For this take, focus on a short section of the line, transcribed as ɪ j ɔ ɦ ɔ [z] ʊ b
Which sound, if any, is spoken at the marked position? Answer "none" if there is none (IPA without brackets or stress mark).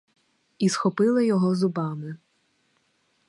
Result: z